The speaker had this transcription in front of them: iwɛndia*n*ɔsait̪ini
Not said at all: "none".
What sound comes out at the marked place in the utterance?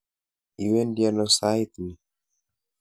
n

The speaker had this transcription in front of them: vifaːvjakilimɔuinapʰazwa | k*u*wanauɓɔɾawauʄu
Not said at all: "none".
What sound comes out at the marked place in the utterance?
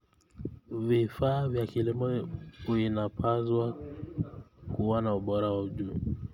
u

